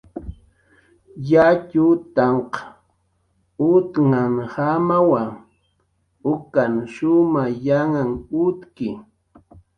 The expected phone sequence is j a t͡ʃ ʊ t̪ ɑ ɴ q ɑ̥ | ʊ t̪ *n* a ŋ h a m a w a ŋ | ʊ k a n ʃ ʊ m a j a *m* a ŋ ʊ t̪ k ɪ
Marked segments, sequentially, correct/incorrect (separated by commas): incorrect, incorrect